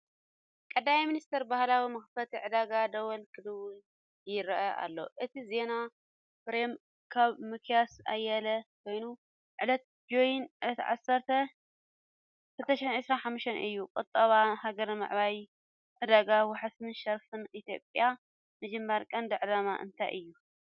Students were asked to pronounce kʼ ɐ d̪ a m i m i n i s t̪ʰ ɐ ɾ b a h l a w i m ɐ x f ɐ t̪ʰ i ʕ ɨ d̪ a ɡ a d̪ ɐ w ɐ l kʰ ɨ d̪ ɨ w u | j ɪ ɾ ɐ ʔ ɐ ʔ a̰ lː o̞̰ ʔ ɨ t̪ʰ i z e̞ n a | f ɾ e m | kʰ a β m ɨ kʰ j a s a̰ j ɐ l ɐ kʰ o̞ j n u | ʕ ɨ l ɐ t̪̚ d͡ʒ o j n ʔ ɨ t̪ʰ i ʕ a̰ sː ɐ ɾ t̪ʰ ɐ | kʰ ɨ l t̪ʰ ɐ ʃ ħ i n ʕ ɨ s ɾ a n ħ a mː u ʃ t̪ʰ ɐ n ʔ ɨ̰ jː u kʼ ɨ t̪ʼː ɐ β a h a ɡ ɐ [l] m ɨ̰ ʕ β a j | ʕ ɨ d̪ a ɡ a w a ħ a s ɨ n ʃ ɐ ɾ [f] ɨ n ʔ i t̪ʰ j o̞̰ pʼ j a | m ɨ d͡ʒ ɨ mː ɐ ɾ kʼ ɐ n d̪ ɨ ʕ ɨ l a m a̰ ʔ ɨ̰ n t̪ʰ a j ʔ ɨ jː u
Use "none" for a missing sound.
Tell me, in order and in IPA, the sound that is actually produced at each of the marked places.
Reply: ɾ, f

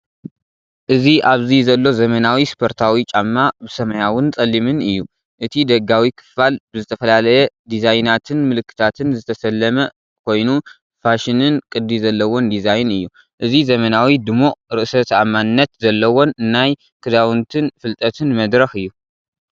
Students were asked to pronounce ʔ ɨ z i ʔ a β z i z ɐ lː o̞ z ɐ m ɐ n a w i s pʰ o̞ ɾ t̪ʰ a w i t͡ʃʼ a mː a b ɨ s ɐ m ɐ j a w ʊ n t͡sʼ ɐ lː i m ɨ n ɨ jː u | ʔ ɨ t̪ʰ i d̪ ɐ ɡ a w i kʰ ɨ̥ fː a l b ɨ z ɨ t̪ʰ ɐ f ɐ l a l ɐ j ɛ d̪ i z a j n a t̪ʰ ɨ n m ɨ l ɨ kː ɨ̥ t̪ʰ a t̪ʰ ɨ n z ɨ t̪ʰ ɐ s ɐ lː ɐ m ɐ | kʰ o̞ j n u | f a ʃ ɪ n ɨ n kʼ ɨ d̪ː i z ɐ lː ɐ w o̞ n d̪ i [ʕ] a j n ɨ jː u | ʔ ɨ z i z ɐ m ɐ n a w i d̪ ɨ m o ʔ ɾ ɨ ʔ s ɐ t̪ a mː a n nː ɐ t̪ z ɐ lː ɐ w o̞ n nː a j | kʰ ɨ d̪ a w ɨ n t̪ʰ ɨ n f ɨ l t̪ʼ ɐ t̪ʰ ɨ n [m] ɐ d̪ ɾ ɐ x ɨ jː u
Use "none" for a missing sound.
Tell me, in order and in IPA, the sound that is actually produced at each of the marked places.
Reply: z, m

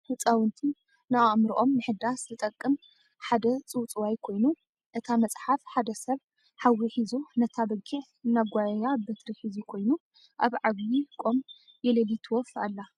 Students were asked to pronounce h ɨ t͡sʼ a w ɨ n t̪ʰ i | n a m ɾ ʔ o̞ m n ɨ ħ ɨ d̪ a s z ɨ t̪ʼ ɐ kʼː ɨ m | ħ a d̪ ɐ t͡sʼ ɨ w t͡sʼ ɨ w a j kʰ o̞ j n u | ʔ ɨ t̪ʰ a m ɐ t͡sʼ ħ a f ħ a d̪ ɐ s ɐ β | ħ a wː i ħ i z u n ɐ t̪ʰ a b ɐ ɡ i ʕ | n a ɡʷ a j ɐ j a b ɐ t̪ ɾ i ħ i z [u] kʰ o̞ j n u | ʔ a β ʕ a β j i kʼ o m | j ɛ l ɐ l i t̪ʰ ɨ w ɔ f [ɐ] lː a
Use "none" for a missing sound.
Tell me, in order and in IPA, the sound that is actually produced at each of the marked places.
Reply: u, a

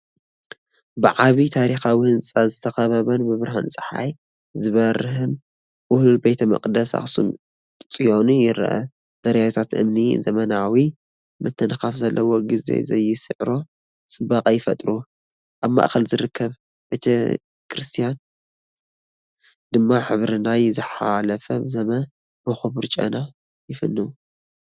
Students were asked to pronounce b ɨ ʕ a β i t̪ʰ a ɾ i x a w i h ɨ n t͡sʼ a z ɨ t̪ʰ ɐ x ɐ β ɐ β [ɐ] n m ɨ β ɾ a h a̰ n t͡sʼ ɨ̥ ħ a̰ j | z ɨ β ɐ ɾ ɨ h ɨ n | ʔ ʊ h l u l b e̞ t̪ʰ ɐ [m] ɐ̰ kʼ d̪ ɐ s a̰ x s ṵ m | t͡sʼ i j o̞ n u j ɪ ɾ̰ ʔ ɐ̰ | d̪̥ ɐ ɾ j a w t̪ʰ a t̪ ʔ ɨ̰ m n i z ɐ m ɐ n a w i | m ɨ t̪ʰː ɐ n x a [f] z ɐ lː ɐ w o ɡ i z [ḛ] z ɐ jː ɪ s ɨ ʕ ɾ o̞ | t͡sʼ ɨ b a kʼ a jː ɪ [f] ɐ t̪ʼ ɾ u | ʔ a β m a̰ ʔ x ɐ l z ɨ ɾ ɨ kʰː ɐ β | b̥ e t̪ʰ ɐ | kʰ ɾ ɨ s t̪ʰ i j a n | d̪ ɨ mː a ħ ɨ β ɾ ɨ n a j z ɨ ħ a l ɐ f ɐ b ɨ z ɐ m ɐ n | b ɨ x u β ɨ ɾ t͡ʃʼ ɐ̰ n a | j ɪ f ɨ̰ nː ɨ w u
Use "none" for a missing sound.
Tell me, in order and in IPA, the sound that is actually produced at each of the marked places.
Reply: ɐ, m, f, ḛ, f

